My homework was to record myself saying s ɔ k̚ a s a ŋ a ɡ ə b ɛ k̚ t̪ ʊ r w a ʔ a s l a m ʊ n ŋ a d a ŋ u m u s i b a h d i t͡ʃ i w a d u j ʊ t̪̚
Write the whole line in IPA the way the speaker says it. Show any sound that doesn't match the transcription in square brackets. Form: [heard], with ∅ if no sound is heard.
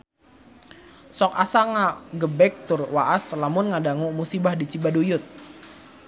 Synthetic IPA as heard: s ɔ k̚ a s a ŋ a ɡ ə b ɛ k̚ t̪ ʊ r w a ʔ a s l a m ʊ n ŋ a d a ŋ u m u s i b a h d i t͡ʃ i [b] a d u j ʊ t̪̚